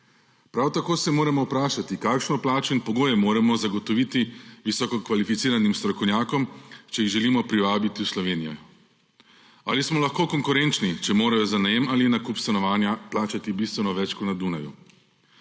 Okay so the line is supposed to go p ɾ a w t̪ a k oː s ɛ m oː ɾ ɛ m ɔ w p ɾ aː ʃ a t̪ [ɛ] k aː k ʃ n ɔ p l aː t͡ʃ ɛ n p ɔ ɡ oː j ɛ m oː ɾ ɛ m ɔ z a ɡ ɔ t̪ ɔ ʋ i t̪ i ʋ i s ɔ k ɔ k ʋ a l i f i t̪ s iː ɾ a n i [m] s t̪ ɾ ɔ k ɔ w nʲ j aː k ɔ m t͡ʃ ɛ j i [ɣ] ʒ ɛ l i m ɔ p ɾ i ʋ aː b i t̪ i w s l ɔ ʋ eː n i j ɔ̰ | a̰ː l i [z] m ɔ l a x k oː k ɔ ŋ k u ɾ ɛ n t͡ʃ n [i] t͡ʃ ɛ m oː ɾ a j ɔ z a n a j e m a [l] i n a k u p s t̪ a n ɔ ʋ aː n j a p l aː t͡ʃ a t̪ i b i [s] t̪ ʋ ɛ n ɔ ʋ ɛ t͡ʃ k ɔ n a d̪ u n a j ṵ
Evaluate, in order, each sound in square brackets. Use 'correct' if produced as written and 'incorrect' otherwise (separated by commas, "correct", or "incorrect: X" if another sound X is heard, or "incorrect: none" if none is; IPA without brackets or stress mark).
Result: incorrect: i, correct, correct, incorrect: s, correct, correct, correct